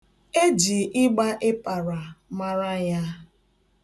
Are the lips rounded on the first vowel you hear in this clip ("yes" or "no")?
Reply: no